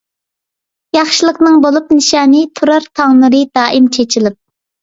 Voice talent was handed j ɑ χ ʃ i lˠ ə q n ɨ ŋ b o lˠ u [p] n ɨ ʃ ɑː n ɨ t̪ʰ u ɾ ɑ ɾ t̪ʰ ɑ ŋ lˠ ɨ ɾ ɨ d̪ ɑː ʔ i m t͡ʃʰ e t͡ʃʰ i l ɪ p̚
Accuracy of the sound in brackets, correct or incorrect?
correct